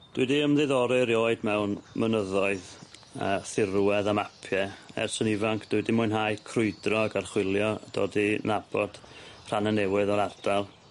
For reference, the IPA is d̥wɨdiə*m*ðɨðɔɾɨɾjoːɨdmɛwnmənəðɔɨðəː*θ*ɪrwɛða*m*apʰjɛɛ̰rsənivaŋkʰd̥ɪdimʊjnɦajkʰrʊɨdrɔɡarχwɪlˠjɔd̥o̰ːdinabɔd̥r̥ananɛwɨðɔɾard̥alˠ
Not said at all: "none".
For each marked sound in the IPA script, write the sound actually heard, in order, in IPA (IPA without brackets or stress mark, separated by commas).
m, θ, m